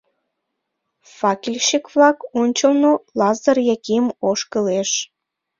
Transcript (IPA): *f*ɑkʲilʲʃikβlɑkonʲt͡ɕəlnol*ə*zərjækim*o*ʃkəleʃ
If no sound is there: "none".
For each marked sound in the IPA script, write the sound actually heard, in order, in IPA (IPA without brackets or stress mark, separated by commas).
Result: f, ɑ, o